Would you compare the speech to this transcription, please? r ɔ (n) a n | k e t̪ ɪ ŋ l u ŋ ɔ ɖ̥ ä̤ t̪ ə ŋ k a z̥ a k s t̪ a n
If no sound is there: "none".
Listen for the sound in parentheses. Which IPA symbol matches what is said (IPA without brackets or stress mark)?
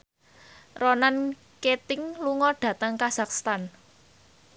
n